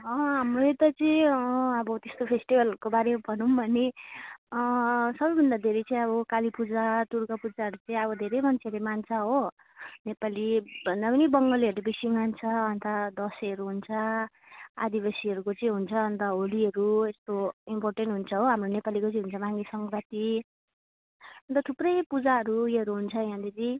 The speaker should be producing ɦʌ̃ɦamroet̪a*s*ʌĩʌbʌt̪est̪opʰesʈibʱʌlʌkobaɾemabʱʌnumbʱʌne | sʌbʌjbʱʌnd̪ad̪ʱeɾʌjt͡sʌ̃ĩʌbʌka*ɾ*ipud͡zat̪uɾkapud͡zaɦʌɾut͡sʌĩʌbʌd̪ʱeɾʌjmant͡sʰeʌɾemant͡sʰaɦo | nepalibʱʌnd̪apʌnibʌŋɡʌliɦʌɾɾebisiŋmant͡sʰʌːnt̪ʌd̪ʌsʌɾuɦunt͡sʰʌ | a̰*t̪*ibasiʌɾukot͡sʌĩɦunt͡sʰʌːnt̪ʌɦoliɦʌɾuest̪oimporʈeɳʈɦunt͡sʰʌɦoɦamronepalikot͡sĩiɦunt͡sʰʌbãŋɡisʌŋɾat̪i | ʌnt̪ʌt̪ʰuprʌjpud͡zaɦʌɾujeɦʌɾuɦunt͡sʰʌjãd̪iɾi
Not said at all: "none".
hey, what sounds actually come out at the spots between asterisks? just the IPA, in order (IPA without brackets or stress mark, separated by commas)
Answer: t͡s, l, d̪